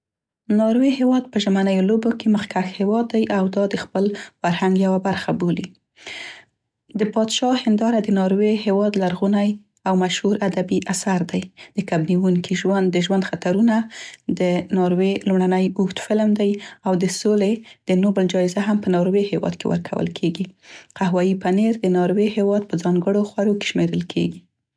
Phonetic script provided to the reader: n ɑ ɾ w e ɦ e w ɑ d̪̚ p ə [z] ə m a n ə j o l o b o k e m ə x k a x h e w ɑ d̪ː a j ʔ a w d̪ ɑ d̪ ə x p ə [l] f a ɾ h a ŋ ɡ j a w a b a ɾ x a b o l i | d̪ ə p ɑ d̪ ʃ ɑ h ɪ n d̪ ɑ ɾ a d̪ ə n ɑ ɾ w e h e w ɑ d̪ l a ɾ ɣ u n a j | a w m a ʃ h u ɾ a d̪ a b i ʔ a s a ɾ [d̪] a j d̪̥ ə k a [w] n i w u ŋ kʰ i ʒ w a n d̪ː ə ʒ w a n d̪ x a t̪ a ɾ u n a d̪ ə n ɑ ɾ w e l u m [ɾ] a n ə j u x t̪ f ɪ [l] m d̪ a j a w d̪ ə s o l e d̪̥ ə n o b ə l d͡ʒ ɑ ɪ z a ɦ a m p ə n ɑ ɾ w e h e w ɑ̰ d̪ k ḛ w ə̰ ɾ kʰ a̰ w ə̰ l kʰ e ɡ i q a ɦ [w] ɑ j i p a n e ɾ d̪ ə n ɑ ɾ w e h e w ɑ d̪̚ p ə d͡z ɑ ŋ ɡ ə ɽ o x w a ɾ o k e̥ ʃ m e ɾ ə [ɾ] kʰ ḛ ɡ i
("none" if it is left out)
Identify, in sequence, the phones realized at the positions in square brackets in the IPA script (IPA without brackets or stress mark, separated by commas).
ʒ, l, d̪, b, ɽ, l, w, l